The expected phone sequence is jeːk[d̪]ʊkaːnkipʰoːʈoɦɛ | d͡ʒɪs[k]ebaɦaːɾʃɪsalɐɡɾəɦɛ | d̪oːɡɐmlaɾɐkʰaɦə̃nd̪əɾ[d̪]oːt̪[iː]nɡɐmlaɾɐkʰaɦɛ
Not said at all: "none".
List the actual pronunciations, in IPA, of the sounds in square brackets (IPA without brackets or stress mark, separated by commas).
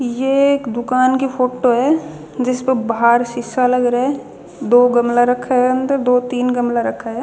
d̪, p, d̪, iː